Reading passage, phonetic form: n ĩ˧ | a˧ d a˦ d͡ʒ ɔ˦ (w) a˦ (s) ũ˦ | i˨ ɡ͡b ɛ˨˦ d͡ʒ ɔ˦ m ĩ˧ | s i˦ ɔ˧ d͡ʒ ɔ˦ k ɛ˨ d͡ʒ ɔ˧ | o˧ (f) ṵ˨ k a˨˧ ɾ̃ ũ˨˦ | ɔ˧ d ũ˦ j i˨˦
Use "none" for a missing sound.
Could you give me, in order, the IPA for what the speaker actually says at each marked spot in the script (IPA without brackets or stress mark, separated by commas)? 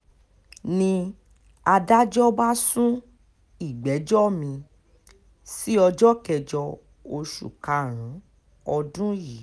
b, s, ʃ